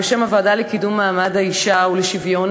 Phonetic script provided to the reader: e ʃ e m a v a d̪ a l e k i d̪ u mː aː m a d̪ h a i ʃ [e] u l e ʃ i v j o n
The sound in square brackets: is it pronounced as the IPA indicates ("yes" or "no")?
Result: no